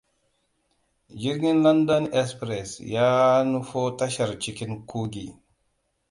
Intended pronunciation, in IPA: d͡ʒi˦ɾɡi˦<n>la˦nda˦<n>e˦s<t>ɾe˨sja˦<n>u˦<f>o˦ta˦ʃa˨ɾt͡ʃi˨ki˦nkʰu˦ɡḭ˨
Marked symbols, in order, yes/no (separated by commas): yes, yes, no, yes, yes